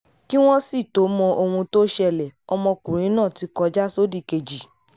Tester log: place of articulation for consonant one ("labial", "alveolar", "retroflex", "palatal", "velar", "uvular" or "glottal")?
velar